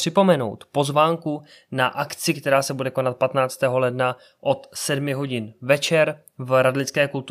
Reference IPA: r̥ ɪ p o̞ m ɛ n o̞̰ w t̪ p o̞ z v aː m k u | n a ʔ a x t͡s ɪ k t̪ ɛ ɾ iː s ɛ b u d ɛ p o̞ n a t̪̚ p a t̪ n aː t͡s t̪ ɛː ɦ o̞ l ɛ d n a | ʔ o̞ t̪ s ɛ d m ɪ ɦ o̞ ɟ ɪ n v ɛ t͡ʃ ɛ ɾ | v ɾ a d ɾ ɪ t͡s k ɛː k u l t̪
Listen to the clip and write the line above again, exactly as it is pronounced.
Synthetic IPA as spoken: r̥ ɪ p o̞ m ɛ n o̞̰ w t̪ p o̞ z v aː ŋ k u | n a ʔ a k t͡s ɪ k t̪ ɛ ɾ aː s ɛ b u d ɛ k o̞ n a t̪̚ p a t̪ n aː t͡s t̪ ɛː ɦ o̞ l ɛ d n a | ʔ o̞ t̪ s ɛ d m ɪ ɦ o̞ ɟ ɪ n v ɛ t͡ʃ ɛ ɾ | v ɾ a d l ɪ t͡s k ɛː k u l t̪